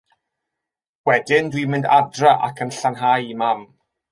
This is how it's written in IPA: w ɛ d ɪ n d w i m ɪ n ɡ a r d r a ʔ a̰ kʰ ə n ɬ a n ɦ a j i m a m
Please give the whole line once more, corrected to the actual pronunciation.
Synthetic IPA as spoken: w ɛ d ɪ n d w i m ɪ n d a d r a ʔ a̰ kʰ ə n ɬ a n ɦ a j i m a m